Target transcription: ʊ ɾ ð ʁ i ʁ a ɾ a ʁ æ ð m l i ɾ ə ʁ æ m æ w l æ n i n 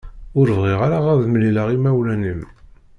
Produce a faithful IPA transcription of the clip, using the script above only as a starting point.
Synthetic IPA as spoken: ʊ ɾ v ʁ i ʁ a ɾ a ʁ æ ð m l i l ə ʁ i m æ w l æ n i m